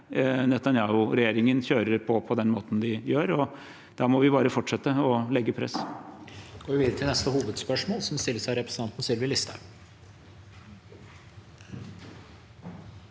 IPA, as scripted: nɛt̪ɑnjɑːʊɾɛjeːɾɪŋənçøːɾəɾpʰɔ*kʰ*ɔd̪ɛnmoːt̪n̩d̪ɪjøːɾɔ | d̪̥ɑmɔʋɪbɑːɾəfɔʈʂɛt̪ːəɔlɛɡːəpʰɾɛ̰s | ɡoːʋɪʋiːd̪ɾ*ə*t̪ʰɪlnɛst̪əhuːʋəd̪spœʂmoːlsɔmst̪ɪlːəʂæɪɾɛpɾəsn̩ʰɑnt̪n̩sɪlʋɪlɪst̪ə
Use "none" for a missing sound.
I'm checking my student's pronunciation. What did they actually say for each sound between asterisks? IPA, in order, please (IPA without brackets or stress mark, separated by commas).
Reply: pʰ, ə